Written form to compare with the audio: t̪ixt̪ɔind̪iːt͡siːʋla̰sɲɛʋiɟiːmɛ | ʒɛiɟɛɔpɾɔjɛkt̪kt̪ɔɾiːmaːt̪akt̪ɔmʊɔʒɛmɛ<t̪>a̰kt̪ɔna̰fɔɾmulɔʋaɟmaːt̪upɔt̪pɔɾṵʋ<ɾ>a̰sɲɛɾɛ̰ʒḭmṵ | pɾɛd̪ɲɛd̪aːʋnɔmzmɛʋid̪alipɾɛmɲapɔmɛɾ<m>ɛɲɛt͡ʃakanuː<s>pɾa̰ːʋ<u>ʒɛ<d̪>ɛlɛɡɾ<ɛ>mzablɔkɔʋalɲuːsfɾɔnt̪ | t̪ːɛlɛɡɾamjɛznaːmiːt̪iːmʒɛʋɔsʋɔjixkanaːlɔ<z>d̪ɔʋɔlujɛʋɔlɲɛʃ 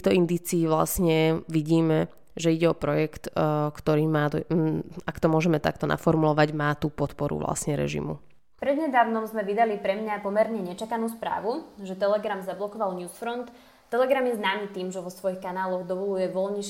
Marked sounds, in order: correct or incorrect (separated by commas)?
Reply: correct, incorrect, incorrect, correct, correct, incorrect, incorrect, incorrect